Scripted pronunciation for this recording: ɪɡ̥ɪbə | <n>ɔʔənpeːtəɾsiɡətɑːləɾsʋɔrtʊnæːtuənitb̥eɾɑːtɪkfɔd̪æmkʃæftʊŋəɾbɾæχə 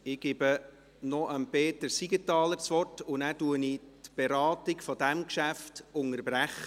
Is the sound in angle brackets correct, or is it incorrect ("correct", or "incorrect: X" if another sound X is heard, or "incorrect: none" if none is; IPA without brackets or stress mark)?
correct